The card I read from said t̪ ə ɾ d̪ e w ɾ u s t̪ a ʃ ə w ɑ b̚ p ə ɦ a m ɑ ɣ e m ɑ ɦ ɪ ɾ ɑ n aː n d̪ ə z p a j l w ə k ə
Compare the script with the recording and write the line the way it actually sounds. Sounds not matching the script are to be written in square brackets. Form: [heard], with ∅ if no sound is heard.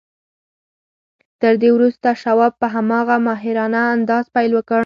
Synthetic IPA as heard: t̪ ə ɾ d̪ e w ɾ u s t̪ a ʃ [a] w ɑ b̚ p ə ɦ a m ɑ ɣ [a] m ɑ ɦ ɪ ɾ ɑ n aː n d̪ [ɑ] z p a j l w ə k ə